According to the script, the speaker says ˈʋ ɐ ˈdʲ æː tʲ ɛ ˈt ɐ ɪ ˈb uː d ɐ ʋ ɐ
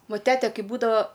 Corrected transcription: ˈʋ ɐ ˈtʲ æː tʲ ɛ ˈk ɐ ɪ ˈb uː d ɐ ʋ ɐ